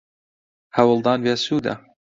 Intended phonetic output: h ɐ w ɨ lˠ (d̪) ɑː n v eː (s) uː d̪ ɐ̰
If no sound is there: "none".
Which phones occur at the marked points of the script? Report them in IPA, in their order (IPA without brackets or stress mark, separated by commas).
d̪, s